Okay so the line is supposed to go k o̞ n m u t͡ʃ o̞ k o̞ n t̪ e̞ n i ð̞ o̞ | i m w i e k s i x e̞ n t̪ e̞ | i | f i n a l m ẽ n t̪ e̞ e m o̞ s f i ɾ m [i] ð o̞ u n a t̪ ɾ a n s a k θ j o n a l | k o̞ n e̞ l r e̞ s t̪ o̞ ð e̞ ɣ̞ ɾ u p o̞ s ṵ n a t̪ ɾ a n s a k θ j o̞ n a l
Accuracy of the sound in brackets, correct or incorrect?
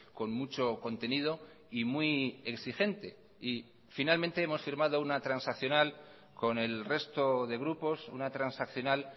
incorrect